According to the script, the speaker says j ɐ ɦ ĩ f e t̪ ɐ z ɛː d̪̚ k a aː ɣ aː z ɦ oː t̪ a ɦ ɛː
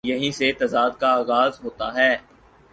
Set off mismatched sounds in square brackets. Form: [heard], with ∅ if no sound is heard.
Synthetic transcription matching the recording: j ɐ ɦ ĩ [s] e t̪ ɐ z [aː] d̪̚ k a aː ɣ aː z ɦ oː t̪ a ɦ ɛː